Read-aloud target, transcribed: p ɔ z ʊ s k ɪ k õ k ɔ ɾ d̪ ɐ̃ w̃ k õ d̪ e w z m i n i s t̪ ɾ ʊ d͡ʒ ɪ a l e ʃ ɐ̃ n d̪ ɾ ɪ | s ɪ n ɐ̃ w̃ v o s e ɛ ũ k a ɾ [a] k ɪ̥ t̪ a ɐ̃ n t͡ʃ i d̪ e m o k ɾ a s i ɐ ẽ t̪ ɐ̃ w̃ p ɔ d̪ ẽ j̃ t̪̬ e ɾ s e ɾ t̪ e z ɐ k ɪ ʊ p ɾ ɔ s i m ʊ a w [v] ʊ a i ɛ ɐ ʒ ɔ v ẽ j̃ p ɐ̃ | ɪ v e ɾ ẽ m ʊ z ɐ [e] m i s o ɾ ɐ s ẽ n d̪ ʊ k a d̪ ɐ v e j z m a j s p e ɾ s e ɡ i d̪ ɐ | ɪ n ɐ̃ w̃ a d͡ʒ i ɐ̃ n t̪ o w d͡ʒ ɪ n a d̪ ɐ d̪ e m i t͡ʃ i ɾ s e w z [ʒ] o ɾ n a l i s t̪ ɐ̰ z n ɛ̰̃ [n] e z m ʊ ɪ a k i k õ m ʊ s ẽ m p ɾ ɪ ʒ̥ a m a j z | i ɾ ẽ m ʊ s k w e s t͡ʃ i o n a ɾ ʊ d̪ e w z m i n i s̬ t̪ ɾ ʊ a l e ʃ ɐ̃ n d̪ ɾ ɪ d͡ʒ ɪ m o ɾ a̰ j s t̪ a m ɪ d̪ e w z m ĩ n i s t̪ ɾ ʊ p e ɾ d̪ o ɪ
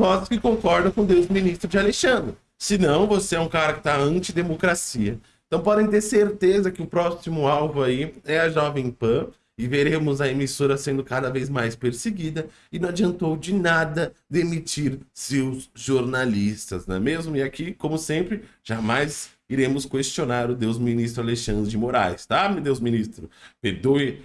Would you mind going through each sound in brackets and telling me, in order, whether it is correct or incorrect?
incorrect, correct, correct, correct, incorrect

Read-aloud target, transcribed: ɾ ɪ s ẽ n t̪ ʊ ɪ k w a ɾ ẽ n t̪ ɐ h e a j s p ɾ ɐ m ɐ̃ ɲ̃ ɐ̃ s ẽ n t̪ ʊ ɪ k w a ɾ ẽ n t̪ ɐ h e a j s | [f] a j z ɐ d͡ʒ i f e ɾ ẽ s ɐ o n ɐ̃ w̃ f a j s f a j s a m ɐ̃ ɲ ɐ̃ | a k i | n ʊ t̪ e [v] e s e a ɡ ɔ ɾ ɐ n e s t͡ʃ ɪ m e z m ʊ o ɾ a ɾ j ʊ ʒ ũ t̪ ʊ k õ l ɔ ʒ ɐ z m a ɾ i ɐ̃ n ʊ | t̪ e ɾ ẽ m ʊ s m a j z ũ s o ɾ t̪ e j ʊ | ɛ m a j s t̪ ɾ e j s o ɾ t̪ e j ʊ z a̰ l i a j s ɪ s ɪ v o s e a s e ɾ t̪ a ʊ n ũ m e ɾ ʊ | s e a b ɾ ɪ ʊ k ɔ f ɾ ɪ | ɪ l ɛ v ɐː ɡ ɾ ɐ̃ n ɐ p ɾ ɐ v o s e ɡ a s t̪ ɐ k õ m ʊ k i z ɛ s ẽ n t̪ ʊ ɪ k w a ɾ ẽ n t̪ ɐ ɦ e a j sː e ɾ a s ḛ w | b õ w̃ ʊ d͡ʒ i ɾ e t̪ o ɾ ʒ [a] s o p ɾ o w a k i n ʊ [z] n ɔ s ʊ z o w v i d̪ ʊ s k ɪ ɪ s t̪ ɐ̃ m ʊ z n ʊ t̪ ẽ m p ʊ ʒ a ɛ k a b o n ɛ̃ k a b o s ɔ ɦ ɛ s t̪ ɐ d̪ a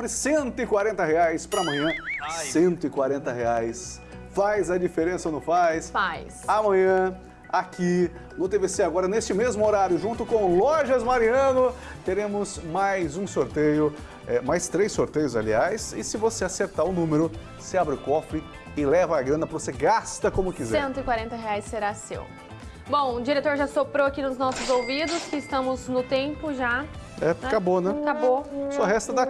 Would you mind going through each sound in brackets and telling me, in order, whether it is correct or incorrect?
correct, correct, correct, correct

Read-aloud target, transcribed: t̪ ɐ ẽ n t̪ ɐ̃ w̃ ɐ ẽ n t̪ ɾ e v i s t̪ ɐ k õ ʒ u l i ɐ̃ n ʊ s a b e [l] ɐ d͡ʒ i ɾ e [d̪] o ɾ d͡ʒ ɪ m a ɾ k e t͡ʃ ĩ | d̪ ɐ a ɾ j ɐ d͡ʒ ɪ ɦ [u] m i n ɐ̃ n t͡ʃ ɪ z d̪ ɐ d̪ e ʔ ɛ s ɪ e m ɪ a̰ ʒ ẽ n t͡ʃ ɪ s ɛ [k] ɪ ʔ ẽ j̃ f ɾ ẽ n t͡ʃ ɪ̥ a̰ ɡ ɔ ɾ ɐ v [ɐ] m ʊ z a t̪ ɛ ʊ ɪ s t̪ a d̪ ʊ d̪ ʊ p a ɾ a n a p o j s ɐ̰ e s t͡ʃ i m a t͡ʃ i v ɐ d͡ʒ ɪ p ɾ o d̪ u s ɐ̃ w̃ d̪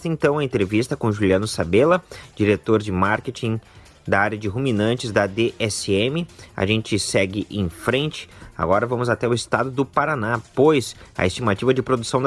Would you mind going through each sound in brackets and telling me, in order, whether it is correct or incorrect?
correct, incorrect, correct, incorrect, incorrect

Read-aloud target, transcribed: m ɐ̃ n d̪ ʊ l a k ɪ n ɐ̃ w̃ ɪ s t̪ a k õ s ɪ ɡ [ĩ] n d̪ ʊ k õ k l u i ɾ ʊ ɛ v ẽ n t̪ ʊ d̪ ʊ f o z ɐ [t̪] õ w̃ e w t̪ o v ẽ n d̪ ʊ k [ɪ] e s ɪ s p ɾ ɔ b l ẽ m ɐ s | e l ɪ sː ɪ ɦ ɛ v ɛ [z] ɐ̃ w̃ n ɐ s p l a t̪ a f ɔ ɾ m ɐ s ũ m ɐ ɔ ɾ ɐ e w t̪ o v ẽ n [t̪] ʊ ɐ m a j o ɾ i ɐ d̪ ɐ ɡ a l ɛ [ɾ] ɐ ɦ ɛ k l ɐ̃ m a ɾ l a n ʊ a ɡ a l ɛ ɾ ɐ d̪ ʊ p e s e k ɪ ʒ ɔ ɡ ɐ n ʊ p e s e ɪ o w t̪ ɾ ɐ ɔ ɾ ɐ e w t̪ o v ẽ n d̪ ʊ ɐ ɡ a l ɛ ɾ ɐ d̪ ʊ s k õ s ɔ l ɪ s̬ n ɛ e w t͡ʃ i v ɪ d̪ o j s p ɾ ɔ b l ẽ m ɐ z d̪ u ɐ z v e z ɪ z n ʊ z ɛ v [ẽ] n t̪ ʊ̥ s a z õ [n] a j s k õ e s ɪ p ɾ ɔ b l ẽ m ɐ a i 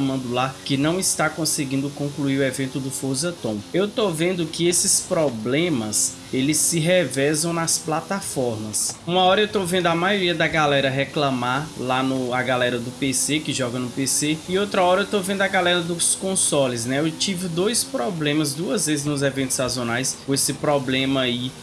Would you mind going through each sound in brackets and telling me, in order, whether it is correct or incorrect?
correct, correct, correct, correct, incorrect, correct, correct, correct

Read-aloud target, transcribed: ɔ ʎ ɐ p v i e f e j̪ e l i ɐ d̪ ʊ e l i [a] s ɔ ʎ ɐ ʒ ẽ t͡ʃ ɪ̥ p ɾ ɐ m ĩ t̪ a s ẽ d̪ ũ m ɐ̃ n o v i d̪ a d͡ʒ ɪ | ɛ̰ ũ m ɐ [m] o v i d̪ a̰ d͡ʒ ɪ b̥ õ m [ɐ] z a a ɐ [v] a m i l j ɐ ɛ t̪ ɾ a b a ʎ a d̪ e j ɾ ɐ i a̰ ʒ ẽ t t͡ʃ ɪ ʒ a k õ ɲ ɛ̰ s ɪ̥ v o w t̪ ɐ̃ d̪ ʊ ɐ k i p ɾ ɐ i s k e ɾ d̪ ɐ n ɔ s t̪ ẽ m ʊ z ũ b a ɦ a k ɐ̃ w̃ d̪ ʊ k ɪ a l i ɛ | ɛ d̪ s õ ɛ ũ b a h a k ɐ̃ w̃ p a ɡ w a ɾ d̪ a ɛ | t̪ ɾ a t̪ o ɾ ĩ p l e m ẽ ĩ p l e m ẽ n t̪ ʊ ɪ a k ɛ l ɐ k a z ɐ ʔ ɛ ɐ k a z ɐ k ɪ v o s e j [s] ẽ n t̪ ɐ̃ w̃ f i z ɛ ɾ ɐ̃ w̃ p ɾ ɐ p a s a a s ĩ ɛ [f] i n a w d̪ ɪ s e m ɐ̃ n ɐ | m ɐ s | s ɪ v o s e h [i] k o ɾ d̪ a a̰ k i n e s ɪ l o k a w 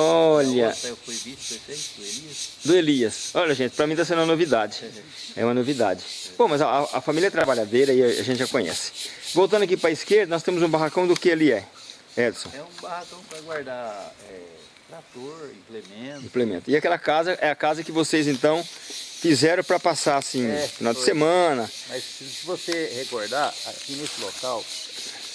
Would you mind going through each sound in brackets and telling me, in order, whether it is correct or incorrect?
incorrect, incorrect, correct, incorrect, incorrect, correct, incorrect

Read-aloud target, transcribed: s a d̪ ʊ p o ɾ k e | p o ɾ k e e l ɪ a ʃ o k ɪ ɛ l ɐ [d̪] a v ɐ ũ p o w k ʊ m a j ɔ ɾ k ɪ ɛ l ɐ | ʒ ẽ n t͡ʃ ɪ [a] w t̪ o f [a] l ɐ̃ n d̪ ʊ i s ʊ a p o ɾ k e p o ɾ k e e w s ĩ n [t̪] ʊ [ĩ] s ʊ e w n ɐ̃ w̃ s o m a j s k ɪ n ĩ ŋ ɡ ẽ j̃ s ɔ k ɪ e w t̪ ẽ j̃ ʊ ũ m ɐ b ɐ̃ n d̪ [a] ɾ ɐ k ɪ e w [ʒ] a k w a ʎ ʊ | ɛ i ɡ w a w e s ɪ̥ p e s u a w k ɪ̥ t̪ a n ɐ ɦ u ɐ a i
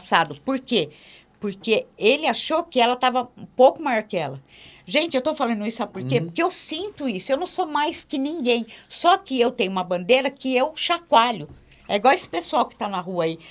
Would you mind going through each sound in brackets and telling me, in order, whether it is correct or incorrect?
incorrect, incorrect, correct, correct, incorrect, incorrect, incorrect

